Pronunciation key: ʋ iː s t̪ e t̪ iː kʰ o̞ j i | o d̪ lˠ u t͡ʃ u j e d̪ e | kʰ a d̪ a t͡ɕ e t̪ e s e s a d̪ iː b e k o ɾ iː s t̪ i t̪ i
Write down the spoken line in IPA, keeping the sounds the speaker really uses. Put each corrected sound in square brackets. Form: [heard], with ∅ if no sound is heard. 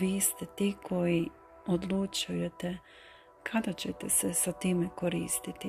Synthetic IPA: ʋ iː s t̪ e t̪ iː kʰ o̞ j i | o d̪ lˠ u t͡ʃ u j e [t̪] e | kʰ a d̪ a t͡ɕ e t̪ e s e s a [t̪] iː [m] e k o ɾ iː s t̪ i t̪ i